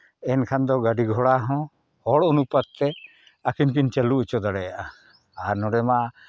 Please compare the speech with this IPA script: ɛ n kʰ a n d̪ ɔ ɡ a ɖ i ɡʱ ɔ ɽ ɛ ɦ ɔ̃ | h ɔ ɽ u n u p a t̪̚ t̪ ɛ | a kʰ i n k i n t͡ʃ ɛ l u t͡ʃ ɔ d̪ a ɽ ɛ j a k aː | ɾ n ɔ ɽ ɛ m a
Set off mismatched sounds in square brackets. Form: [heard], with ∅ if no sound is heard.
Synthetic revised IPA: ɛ n kʰ a n d̪ ɔ ɡ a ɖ i ɡʱ ɔ ɽ [a] ɦ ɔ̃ | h ɔ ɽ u n u p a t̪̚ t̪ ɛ | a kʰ i n k i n t͡ʃ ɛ l u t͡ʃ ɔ d̪ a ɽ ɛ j a [ʔ] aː | ɾ n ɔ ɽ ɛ m a